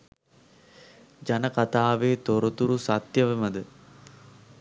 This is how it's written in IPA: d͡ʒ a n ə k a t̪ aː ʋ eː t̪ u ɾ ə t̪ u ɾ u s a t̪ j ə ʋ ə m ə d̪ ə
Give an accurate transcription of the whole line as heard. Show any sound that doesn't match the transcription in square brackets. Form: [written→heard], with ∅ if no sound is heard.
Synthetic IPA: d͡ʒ a n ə k a t̪ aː ʋ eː t̪ [u→o] ɾ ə t̪ u ɾ u s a t̪ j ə ʋ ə m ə d̪ ə